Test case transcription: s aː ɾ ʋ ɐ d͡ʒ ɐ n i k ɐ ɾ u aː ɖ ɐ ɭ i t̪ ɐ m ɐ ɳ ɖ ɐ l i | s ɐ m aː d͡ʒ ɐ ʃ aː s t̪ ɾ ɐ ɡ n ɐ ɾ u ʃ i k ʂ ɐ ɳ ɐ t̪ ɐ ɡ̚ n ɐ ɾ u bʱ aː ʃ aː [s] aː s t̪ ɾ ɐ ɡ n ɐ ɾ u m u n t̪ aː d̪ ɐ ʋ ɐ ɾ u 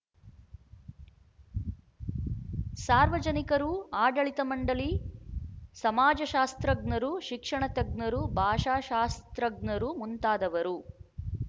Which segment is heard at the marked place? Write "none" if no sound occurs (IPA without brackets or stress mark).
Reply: ʃ